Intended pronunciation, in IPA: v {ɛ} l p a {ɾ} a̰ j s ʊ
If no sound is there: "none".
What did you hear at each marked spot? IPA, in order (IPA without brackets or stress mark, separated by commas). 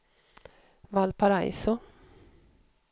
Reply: a, ɾ